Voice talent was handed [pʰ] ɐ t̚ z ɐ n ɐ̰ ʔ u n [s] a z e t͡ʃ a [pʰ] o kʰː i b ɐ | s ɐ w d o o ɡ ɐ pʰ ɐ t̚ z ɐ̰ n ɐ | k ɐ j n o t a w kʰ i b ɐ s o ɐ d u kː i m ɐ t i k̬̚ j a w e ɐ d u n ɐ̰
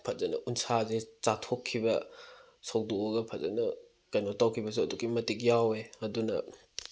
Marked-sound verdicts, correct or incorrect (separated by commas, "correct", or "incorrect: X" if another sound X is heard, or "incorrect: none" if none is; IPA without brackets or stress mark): correct, correct, incorrect: tʰ